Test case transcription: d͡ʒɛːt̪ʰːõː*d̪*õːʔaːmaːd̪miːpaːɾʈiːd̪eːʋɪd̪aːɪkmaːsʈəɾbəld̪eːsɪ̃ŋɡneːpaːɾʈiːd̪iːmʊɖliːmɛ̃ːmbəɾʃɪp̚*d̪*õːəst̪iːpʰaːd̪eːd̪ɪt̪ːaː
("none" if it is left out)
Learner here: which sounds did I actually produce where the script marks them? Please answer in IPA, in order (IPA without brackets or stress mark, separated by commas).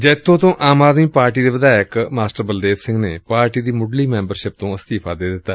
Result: t̪, t̪